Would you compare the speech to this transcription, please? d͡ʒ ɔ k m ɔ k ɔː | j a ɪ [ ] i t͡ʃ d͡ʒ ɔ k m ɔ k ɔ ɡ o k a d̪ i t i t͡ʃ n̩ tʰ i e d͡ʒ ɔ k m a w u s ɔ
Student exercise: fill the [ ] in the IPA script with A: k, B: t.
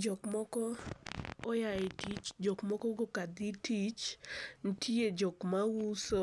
B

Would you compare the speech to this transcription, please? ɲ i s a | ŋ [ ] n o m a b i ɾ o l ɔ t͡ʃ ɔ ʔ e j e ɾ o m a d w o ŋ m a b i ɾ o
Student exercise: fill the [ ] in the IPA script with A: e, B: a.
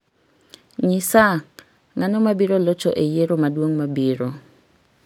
B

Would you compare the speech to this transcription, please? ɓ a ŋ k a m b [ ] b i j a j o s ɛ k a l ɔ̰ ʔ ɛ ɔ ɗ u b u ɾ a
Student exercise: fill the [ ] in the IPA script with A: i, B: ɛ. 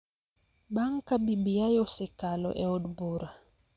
A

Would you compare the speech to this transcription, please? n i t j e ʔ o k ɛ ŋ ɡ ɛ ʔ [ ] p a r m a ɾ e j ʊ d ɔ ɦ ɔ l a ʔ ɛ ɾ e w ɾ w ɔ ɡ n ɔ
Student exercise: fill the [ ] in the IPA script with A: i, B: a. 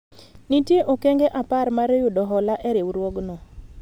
B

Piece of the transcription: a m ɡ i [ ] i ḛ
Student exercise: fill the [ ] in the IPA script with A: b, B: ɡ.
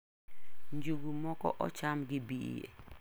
A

